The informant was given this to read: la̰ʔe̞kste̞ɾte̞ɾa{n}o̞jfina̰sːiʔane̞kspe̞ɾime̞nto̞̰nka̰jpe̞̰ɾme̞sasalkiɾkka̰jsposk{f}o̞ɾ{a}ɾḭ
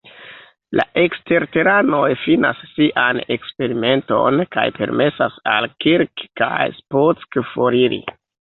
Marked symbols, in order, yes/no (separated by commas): yes, yes, no